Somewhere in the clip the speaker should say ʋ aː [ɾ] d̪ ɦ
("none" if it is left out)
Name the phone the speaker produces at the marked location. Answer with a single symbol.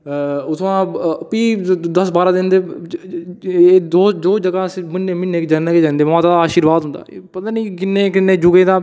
none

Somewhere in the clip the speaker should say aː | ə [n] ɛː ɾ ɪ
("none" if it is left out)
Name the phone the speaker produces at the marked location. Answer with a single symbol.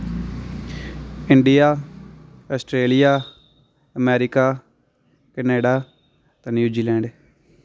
m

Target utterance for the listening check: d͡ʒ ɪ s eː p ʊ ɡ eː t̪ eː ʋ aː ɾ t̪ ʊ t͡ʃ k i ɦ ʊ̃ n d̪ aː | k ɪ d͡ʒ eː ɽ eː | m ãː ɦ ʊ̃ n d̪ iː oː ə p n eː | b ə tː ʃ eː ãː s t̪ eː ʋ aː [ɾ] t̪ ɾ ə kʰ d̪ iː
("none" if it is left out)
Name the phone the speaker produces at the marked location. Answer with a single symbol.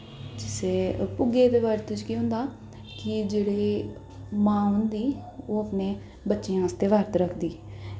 ɾ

